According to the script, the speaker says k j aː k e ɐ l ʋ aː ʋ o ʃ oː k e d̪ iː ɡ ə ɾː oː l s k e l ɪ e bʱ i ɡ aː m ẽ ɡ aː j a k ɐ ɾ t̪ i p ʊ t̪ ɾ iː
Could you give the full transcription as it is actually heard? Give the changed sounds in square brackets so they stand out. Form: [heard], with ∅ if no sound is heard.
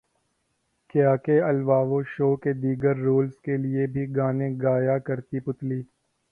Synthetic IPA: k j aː k e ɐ l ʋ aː ʋ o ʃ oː k e d̪ iː ɡ ə ɾː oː l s k e l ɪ e bʱ i ɡ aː [n] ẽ ɡ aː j a k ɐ ɾ t̪ i p ʊ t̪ [l] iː